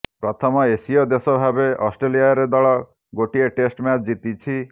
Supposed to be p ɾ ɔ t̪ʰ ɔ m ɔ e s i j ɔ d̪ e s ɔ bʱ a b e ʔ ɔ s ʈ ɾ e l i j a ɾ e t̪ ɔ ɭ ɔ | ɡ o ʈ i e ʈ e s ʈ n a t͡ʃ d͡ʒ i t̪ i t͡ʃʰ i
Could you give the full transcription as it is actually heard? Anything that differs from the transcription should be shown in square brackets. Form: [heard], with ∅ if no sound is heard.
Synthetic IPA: p ɾ ɔ t̪ʰ ɔ m ɔ e s i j ɔ d̪ e s ɔ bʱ a b e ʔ ɔ s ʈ ɾ e l i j a ɾ e [d̪] ɔ ɭ ɔ | ɡ o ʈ i e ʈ e s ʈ [m] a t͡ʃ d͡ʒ i t̪ i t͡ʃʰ i